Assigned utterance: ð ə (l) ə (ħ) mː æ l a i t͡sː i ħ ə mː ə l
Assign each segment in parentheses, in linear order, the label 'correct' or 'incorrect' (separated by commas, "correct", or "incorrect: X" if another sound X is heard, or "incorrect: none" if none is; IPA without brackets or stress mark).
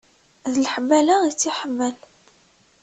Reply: correct, correct